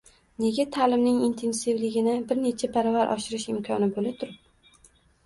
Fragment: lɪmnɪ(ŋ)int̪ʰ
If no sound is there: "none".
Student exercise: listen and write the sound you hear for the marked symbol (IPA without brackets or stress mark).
ŋ